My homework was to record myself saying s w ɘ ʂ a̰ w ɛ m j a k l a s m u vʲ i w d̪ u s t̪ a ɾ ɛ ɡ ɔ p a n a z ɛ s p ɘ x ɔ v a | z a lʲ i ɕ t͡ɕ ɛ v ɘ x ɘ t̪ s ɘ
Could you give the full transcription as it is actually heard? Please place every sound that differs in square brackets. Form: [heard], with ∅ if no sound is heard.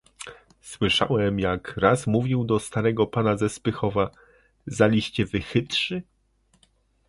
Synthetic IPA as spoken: s w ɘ ʂ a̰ w ɛ m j a k [ɾ] a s m u vʲ i w d̪ [ɔ] s t̪ a ɾ ɛ ɡ ɔ p a n a z ɛ s p ɘ x ɔ v a | z a lʲ i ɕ t͡ɕ ɛ v ɘ x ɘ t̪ [ʂ] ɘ